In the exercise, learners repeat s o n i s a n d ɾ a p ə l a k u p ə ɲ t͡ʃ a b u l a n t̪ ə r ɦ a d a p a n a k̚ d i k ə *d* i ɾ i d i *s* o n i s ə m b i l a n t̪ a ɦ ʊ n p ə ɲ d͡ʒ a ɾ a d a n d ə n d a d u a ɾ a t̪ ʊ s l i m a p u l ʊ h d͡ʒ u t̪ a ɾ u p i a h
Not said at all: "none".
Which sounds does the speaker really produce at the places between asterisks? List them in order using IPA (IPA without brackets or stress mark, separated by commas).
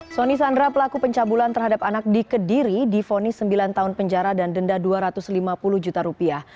d, f